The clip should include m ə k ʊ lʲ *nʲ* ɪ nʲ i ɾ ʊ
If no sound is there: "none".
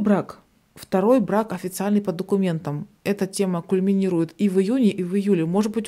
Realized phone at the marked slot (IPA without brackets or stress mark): mʲ